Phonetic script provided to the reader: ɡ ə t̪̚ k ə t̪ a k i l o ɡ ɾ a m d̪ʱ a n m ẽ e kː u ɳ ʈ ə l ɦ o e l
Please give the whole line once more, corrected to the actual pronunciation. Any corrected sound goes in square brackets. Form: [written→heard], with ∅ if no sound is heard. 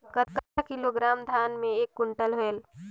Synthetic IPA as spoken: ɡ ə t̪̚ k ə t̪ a k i l o ɡ ɾ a m d̪ʱ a n m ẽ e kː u ɳ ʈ ə l ɦ o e l

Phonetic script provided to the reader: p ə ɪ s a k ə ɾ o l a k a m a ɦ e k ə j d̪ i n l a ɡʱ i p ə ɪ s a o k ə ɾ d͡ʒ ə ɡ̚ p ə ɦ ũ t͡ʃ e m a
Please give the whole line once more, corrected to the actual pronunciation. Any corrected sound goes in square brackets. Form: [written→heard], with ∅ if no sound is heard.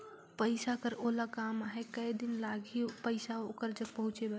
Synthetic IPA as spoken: p ə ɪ s a k ə ɾ o l a k a m a ɦ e k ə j d̪ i n l a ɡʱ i p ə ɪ s a o k ə ɾ d͡ʒ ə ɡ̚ p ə ɦ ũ t͡ʃ e [m→b] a

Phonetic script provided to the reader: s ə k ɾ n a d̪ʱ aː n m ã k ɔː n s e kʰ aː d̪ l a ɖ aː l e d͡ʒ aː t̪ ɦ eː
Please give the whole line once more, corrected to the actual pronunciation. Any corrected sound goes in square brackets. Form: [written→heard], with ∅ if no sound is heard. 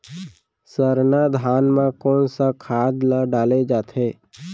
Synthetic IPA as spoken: s ə [k→∅] ɾ n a d̪ʱ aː n m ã k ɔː n s [e→a] kʰ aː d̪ l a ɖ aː l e d͡ʒ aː t̪ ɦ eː

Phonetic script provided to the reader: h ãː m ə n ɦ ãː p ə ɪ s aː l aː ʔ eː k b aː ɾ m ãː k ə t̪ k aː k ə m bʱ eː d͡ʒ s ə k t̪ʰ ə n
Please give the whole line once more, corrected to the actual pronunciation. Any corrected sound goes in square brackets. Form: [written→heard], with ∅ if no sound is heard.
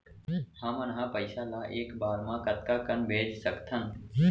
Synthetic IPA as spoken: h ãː m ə n ɦ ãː p ə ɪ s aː l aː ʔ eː k b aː ɾ m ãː k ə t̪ k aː k ə [m→n] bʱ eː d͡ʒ s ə k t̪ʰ ə n

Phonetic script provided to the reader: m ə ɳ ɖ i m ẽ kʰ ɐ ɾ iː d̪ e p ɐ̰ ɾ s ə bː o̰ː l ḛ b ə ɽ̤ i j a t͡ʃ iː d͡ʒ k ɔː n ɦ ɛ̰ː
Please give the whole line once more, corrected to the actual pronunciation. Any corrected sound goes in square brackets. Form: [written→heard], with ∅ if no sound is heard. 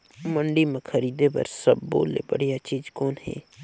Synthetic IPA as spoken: m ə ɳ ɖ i m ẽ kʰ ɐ ɾ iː d̪ e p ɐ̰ ɾ s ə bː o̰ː l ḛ b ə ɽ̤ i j a t͡ʃ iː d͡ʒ k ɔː n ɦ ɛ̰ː

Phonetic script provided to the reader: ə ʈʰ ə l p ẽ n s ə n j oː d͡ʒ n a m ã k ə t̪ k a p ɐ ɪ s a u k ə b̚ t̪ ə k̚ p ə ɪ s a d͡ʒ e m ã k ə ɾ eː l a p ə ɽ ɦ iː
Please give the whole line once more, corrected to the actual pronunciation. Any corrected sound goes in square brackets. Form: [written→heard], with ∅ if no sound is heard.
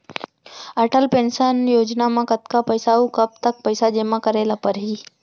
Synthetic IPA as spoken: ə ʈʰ ə l p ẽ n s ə n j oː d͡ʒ n a m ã k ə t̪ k a p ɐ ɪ s a u k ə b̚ t̪ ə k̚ p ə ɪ s a d͡ʒ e m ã k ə ɾ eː l a p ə [ɽ→ɾ] ɦ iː

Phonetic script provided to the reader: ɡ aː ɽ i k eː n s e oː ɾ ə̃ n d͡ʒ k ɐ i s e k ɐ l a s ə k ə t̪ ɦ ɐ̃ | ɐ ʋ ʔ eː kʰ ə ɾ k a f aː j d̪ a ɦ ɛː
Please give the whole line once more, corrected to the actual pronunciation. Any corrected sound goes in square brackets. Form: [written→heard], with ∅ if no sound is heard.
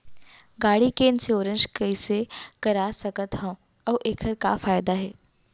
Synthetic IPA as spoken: ɡ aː ɽ i k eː n s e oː ɾ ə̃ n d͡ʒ k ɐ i s e k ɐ [l→ɾ] a s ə k ə t̪ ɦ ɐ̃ | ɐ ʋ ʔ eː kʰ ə ɾ k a f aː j d̪ a ɦ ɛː

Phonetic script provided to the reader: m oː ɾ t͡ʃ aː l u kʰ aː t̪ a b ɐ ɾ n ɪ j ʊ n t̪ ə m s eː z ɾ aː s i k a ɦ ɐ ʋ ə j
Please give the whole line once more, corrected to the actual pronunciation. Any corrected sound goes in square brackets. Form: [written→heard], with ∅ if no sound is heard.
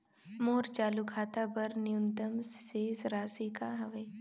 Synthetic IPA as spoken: m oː ɾ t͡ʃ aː l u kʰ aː t̪ a b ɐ ɾ n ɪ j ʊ n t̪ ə m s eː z ɾ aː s i k a ɦ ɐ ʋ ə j

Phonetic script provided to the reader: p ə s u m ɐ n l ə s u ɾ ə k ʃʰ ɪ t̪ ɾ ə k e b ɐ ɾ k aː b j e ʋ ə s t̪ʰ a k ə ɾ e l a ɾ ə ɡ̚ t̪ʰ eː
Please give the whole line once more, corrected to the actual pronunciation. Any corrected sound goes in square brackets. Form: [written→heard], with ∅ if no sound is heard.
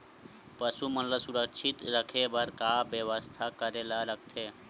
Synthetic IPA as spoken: p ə s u m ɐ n l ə s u ɾ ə k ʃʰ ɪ t̪ ɾ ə [k→kʰ] e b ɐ ɾ k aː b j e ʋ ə s t̪ʰ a k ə ɾ e l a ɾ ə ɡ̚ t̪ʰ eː

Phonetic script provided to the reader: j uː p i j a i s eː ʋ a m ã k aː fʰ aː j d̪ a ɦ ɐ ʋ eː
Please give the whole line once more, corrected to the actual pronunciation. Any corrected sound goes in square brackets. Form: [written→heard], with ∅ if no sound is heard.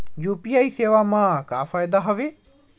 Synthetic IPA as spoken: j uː p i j a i s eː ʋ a m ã k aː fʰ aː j d̪ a ɦ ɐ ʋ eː

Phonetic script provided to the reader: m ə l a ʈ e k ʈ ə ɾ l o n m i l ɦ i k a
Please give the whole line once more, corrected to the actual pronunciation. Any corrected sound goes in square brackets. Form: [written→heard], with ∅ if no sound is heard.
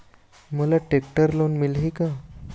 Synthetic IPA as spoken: m ə l a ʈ e k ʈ ə ɾ l o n m i l ɦ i k a

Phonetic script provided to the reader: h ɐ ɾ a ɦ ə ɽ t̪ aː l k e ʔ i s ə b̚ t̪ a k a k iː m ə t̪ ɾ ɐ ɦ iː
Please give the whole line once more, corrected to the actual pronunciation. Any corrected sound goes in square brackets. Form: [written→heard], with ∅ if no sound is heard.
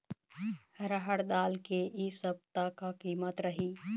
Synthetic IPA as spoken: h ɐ ɾ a ɦ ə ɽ [t̪→d̪] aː l k e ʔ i s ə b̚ t̪ a k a k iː m ə t̪ ɾ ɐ ɦ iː

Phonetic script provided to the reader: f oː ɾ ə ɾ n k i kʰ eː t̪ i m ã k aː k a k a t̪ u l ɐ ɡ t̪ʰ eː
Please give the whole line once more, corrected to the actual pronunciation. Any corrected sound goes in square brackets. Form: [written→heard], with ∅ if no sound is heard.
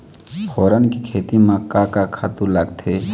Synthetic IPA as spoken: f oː ɾ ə [ɾ→∅] n k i kʰ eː t̪ i m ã k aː k a [k→kʰ] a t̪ u l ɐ ɡ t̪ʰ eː

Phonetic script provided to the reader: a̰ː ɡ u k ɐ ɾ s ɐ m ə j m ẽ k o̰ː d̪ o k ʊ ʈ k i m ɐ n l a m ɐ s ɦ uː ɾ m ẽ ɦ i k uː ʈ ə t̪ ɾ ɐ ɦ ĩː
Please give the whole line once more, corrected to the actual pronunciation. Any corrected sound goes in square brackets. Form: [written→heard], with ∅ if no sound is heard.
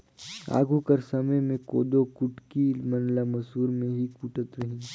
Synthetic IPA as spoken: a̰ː ɡ u k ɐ ɾ s ɐ m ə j m ẽ k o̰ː d̪ o k ʊ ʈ k i m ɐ n l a m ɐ s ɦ uː ɾ m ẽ ɦ i k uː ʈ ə t̪ ɾ ɐ ɦ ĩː

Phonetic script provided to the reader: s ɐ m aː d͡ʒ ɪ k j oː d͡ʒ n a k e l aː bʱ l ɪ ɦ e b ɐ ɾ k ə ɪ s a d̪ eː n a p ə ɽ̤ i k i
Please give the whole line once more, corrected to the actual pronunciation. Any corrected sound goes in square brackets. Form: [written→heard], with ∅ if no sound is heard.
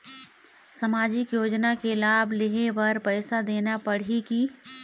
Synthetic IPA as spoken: s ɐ m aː d͡ʒ ɪ k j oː d͡ʒ n a k e l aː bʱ l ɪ ɦ e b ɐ ɾ [k→p] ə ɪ s a d̪ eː n a p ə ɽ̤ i k i

